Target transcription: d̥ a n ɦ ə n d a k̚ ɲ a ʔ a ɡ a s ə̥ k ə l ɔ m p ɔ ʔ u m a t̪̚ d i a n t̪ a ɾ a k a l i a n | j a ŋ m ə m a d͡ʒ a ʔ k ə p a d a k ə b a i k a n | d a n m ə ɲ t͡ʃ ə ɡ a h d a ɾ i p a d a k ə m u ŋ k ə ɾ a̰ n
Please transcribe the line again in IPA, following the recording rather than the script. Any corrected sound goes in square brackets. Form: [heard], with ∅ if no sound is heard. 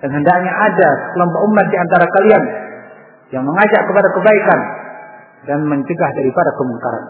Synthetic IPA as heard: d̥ a n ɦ ə n d a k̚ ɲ a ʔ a [d] a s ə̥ k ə l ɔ m p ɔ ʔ u m a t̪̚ d i a n t̪ a ɾ a k a l i a n | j a ŋ m ə [ŋ] a d͡ʒ a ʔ k ə p a d a k ə b a i k a n | d a n m ə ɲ t͡ʃ ə ɡ a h d a ɾ i p a d a k ə m u ŋ k [a] ɾ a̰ n